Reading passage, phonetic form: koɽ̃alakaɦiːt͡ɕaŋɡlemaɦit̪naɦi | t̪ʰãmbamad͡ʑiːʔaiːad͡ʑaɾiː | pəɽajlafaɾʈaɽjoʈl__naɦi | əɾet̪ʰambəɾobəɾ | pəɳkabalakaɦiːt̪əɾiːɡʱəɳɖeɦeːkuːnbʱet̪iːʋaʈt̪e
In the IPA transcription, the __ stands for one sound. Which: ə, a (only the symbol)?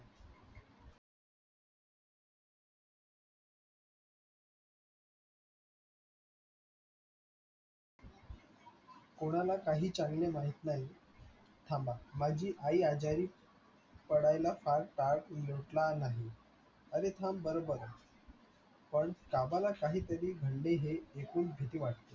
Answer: a